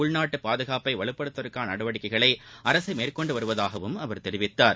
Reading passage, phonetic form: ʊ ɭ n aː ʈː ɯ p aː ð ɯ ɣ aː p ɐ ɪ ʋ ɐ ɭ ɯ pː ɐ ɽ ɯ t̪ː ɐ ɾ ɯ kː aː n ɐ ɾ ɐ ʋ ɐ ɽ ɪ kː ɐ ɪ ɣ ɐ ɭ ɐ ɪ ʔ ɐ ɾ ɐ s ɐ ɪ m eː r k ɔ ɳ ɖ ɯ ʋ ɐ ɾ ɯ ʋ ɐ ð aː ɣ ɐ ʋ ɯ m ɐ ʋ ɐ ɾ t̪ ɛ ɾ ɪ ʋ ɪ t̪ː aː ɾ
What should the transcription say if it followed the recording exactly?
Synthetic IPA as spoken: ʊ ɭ n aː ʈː ɯ p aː ð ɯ ɣ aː p ɐ ɪ ʋ ɐ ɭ ɯ pː ɐ ɽ ɯ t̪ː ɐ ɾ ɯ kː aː n ɐ ɽ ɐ ʋ ɐ ɽ ɪ kː ɐ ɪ ɣ ɐ ɭ ɐ ɪ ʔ ɐ ɾ ɐ s ɐ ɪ m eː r k ɔ ɳ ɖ ɯ ʋ ɐ ɾ ɯ ʋ ɐ ð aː ɣ ɐ ʋ ɯ m ɐ ʋ ɐ ɾ t̪ ɛ ɾ ɪ ʋ ɪ t̪ː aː ɾ